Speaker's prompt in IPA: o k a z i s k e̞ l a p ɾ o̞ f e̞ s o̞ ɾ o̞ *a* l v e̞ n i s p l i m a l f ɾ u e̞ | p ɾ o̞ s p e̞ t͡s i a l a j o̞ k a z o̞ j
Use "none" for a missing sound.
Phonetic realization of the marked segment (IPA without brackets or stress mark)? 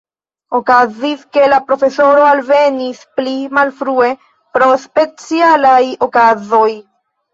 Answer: a